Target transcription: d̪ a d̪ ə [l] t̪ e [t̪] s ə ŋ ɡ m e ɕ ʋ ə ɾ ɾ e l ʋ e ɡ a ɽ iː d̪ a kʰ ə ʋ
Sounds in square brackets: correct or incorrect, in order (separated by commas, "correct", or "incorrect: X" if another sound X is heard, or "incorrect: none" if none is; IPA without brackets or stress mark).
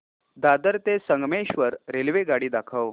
incorrect: ɾ, incorrect: none